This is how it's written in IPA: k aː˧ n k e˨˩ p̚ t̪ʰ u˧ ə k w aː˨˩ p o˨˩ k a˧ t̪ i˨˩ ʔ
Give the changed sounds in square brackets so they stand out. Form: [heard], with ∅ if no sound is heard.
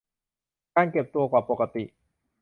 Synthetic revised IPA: k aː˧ n k e˨˩ p̚ [t̪] u˧ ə k w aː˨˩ p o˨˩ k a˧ t̪ i˨˩ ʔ